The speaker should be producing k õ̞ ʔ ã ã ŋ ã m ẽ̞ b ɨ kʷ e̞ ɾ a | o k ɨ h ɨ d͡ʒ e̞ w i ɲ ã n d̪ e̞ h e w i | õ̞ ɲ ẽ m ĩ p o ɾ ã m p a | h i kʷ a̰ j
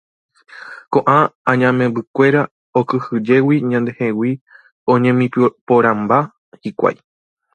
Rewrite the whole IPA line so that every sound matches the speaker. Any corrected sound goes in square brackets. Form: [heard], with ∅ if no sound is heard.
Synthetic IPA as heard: k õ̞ ʔ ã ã [ɲ] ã m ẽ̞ b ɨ kʷ e̞ ɾ a | o k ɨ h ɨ d͡ʒ e̞ w i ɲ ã n d̪ e̞ h e w i | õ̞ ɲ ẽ m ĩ p o ɾ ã m [b] a | h i kʷ a̰ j